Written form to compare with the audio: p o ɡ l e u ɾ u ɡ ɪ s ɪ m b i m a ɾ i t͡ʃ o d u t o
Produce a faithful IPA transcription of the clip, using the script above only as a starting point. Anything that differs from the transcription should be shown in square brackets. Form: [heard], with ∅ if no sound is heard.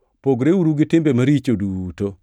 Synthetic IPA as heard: p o ɡ [ɾ] e u ɾ u ɡ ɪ [t] ɪ m b [e] m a ɾ i t͡ʃ o d u t o